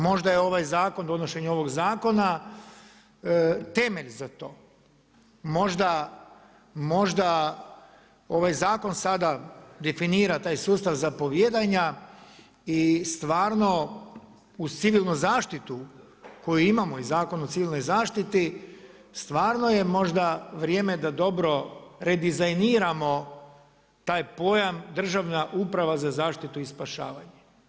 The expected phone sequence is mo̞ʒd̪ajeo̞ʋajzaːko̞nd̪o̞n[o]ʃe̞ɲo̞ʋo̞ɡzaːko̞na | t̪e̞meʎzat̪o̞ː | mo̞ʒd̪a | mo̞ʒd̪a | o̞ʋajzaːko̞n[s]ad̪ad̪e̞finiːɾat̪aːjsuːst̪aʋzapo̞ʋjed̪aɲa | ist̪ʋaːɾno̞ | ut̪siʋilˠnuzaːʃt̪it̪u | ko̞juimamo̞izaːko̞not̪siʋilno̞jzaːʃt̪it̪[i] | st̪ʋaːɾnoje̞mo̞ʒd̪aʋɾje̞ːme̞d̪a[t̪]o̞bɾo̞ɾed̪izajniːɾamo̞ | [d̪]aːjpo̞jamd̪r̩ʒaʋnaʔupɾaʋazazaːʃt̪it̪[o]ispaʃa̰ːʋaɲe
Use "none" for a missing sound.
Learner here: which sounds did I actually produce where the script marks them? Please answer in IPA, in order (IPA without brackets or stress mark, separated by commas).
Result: o, s, i, d̪, t̪, u